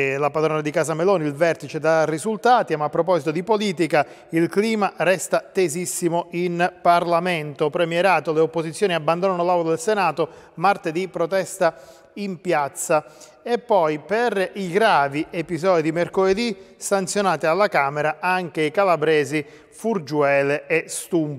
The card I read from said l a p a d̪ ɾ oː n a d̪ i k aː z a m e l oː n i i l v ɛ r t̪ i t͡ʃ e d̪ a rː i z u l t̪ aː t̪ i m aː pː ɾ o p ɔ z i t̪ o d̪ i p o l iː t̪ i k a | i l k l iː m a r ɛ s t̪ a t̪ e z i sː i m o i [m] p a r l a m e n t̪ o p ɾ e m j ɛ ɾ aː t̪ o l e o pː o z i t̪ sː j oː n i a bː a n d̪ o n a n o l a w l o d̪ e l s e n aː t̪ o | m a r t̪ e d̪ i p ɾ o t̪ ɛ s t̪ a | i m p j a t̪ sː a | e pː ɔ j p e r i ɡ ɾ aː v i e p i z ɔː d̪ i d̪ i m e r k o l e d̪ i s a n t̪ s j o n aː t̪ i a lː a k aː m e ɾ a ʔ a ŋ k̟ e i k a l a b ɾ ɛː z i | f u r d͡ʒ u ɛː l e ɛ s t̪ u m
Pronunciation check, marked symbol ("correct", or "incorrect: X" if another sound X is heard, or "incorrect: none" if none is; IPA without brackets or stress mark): incorrect: n